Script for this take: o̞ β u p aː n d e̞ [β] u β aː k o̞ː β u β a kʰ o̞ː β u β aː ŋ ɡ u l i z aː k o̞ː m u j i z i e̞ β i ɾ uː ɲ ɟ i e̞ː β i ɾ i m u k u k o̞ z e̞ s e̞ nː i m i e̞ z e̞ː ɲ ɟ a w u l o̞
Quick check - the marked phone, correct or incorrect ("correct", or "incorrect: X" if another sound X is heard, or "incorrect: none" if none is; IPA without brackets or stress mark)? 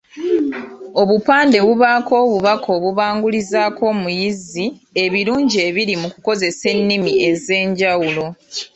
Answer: correct